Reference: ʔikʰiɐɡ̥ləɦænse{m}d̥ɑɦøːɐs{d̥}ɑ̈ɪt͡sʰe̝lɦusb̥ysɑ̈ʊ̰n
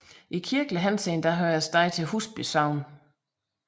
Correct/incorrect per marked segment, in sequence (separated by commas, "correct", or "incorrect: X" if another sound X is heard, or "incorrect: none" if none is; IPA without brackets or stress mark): incorrect: n, correct